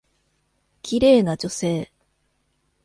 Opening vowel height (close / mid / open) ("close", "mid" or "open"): close